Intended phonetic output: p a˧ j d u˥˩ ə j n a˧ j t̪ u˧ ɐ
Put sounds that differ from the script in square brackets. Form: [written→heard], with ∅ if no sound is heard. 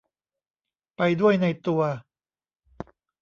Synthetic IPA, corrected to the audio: p a˧ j d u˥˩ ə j n a˧ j t̪ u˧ ɐ